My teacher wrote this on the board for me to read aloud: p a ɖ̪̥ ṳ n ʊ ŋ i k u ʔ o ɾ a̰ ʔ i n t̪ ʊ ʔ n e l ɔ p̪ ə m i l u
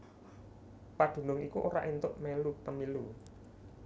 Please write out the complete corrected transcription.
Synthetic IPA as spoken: p a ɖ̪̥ ṳ n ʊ ŋ i k u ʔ o ɾ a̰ ʔ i n t̪ ʊ ʔ m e l u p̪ ə m i l u